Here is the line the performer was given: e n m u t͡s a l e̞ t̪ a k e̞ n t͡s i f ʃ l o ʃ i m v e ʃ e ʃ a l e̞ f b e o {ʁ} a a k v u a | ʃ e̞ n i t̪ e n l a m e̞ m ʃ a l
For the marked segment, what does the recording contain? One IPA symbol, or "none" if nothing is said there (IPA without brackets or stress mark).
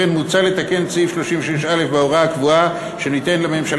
ʁ